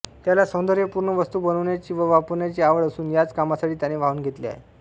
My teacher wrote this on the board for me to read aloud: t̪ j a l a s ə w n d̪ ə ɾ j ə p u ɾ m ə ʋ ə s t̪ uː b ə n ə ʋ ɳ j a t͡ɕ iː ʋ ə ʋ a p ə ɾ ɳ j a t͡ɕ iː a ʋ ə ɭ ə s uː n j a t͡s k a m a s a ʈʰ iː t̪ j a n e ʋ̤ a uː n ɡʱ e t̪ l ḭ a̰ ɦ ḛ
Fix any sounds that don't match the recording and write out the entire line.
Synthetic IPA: t̪ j a l a s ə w n d̪ ə ɾ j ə p u ɾ ɳ ə ʋ ə s t̪ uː b ə n ə ʋ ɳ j a t͡ɕ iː ʋ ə ʋ a p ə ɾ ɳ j a t͡ɕ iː a ʋ ə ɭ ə s uː n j a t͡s k a m a s a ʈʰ iː t̪ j a n e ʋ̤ a uː n ɡʱ e t̪ l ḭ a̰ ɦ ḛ